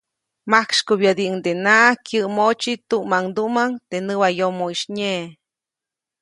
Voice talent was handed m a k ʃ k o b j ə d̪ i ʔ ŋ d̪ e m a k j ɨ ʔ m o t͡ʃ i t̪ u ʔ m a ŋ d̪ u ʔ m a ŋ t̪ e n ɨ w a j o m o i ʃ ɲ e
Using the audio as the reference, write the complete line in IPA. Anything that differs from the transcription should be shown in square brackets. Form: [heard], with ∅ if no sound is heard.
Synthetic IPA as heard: m a k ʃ k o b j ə d̪ i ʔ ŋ d̪ e [n] a k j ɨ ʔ m o t͡ʃ i t̪ u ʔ m a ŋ d̪ u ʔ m a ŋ t̪ e n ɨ w a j o m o i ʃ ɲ e